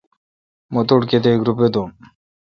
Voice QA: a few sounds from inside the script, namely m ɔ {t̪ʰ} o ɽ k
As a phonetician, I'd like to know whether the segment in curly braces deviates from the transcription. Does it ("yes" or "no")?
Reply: yes